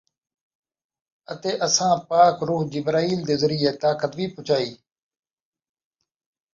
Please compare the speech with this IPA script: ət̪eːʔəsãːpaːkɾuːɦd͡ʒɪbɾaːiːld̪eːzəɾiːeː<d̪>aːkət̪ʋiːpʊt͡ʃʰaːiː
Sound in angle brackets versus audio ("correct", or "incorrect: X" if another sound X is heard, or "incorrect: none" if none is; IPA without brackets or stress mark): incorrect: t̪